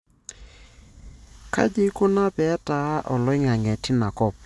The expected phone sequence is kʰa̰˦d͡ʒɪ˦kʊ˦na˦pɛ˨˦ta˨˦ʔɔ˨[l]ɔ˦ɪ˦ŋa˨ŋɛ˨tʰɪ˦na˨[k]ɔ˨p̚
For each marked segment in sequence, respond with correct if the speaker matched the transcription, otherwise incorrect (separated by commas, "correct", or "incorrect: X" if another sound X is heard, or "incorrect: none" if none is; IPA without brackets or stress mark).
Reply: correct, correct